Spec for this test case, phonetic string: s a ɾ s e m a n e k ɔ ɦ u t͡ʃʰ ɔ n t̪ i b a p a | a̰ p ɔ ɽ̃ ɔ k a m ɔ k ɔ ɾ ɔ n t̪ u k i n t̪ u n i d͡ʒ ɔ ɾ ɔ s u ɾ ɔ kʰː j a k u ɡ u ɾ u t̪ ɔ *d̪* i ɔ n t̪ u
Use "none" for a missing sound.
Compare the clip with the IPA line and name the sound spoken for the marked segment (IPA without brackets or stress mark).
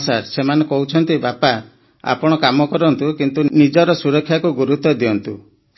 d̪